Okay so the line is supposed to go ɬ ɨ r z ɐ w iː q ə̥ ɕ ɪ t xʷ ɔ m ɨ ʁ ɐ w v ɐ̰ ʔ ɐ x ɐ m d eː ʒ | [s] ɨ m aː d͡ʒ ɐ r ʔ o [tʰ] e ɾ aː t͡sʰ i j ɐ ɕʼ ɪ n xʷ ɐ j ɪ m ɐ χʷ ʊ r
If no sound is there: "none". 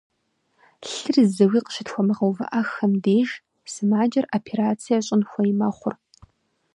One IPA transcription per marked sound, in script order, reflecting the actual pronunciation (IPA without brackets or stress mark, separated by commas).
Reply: s, pʰ